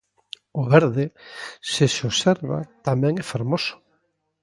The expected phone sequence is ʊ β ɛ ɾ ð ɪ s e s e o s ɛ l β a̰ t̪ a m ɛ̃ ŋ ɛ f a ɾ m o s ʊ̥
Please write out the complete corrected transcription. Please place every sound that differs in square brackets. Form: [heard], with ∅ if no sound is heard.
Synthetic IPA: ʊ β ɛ ɾ ð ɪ s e s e o s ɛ [ɾ] β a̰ t̪ a m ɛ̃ ŋ ɛ f a ɾ m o s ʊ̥